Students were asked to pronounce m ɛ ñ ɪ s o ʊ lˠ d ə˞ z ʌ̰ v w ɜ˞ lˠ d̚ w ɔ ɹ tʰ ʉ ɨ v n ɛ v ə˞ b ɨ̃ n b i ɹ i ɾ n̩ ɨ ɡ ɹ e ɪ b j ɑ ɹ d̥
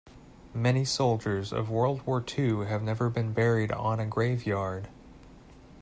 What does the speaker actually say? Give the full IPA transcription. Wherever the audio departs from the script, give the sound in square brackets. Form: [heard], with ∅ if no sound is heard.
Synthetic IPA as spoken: m ɛ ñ [i] s o ʊ lˠ [d͡ʒ] ə˞ z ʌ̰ v w ɜ˞ lˠ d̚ w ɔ ɹ tʰ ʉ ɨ v n ɛ v ə˞ b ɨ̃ n b [ɛ] ɹ i ɾ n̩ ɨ ɡ ɹ e ɪ [v] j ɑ ɹ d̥